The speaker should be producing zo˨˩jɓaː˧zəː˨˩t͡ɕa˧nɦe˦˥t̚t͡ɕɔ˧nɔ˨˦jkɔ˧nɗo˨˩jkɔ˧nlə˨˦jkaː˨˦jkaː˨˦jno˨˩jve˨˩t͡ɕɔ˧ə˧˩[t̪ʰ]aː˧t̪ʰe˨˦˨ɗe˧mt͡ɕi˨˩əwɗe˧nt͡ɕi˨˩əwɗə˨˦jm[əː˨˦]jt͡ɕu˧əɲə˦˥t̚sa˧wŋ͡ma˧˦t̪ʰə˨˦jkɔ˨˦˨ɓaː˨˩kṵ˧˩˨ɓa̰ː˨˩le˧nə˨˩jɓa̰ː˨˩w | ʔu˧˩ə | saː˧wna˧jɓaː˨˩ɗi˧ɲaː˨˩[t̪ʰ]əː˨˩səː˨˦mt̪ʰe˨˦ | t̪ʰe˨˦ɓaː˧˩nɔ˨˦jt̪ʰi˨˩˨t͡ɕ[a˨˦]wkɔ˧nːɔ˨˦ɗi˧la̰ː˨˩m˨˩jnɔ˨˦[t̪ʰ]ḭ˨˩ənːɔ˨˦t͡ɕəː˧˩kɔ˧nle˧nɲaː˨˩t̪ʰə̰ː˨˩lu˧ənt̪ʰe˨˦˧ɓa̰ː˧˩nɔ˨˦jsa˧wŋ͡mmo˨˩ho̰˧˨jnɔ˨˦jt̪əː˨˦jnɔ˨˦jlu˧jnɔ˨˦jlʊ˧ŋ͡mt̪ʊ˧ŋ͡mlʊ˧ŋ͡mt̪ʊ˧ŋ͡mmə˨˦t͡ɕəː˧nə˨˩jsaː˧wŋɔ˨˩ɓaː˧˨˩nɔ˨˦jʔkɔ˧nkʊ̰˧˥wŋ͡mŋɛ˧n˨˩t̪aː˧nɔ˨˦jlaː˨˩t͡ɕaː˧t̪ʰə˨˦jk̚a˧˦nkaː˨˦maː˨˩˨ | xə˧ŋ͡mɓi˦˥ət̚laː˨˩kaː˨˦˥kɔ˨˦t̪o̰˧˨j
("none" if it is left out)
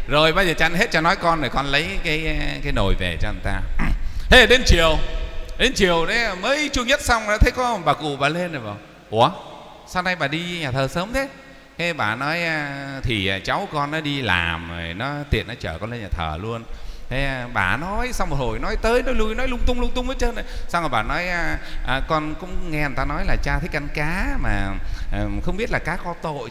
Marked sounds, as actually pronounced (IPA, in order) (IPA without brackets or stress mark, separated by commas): t̪, əː˨˦, t̪ʰ, a˨˦, t̪